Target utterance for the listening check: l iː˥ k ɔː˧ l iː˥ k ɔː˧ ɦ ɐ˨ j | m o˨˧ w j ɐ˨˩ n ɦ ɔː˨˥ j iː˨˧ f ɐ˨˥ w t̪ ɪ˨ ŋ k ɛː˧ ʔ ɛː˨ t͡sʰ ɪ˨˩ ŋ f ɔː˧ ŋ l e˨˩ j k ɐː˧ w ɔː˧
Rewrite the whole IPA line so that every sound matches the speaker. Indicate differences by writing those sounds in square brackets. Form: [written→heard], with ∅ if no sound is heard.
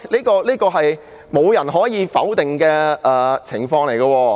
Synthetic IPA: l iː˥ k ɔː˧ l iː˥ k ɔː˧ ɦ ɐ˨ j | m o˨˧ w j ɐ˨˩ n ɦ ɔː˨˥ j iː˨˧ f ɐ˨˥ w t̪ ɪ˨ ŋ k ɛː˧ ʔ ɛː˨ t͡sʰ ɪ˨˩ ŋ f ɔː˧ ŋ l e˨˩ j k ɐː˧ w ɔː˧